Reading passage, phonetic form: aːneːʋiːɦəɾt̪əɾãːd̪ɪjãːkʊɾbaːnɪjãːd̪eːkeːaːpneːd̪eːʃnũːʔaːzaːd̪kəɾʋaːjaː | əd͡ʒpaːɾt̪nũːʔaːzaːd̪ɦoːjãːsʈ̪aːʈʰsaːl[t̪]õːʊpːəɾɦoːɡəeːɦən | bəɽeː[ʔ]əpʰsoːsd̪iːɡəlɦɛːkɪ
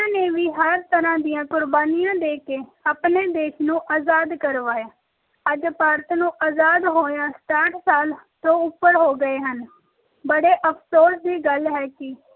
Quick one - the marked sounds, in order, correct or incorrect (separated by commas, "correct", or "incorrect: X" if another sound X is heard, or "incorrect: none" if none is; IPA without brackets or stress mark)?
correct, correct